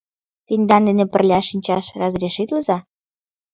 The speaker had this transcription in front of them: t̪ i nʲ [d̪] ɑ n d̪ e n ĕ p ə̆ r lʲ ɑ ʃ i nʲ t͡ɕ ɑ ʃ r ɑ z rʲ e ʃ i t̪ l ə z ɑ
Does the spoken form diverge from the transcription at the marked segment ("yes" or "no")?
no